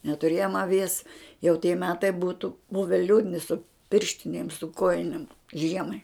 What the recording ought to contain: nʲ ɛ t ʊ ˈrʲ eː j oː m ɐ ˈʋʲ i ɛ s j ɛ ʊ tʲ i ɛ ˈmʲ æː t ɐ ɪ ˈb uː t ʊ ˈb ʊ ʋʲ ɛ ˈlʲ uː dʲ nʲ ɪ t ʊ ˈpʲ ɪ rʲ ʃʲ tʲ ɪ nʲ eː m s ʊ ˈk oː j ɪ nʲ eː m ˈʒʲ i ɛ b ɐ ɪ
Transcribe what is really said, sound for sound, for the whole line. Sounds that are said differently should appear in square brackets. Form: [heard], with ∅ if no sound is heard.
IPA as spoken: nʲ ɛ t ʊ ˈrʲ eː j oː m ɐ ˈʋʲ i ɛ s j ɛ ʊ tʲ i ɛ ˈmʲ æː t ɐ ɪ ˈb uː t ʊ ˈb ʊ ʋʲ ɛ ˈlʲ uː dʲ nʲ ɪ [s] ʊ ˈpʲ ɪ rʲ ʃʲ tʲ ɪ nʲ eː m s ʊ ˈk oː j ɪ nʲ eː m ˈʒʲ i ɛ [m] ɐ ɪ

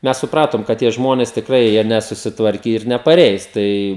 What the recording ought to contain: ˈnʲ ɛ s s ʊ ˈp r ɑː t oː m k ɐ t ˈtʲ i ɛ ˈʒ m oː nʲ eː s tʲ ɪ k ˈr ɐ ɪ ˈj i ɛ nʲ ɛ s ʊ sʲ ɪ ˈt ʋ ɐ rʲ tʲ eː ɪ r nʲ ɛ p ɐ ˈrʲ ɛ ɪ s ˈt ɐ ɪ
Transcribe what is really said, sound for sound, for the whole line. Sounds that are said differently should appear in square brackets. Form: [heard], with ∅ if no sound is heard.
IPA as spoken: [ˈmʲ] ɛ s s ʊ ˈp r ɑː t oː m k ɐ t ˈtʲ i ɛ ˈʒ m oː nʲ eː s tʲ ɪ k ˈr ɐ ɪ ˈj i ɛ nʲ ɛ s ʊ sʲ ɪ ˈt ʋ ɐ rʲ [kʲ] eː ɪ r nʲ ɛ p ɐ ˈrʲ ɛ ɪ s ˈt ɐ ɪ

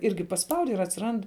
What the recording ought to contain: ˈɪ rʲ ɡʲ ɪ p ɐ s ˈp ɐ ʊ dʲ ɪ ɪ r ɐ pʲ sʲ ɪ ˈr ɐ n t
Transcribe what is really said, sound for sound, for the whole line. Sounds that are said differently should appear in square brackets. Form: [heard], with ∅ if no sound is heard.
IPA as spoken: ˈɪ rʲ ɡʲ ɪ p ɐ s ˈp ɐ ʊ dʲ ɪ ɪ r ɐ [tʲ] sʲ ɪ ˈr ɐ n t

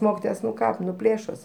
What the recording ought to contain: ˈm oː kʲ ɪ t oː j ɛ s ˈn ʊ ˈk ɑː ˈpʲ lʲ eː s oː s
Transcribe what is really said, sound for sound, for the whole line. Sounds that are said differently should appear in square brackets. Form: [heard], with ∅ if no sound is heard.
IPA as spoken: ˈm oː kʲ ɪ t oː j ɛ s ˈn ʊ ˈk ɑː ˈpʲ lʲ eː [ʃ] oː s

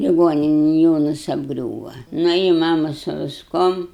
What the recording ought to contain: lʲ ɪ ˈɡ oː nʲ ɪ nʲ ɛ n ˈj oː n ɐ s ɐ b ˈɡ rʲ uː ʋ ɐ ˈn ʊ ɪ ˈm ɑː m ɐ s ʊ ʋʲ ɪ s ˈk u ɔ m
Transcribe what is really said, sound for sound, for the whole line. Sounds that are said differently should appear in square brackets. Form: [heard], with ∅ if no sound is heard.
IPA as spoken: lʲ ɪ ˈɡ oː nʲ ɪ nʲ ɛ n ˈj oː n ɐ s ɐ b ˈɡ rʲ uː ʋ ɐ ˈn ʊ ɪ ˈm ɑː m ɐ s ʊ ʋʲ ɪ s ˈk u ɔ m

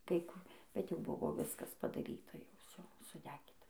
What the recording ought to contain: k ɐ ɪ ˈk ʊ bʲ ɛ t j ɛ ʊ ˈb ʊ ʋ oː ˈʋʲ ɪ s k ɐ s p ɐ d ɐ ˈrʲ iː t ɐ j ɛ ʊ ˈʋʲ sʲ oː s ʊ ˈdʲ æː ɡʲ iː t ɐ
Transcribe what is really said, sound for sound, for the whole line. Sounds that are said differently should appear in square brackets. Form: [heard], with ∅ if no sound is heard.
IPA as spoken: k ɐ ɪ ˈk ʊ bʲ ɛ t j ɛ ʊ ˈb ʊ ʋ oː ˈʋʲ ɪ s k ɐ s p ɐ d ɐ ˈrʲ iː t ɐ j ɛ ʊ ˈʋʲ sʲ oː s ʊ ˈdʲ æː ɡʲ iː t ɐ

